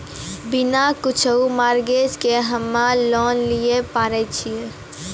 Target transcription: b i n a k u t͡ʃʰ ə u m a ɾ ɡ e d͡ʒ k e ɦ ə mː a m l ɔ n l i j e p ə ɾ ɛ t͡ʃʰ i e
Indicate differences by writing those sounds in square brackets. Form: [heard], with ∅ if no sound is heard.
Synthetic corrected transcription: b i n a k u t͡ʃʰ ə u m a ɾ ɡ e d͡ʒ k e ɦ ə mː a [∅] l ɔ n l i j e p [a] ɾ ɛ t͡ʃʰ i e